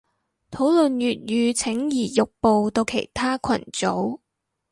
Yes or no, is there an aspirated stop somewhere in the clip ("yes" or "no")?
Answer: yes